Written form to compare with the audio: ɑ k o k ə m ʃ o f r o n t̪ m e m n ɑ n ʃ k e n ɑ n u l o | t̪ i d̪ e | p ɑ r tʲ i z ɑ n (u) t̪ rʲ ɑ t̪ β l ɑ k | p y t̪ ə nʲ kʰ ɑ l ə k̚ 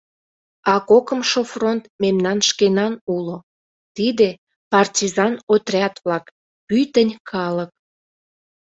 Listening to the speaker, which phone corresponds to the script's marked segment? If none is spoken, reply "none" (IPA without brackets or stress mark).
o